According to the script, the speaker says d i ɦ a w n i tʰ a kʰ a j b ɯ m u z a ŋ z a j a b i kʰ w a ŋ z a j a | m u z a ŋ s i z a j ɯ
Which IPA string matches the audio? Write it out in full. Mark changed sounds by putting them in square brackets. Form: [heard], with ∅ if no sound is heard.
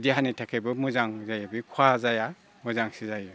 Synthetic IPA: d i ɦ a [∅] n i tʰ a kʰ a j b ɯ m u z a ŋ z a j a b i kʰ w a [∅] z a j a | m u z a ŋ s i z a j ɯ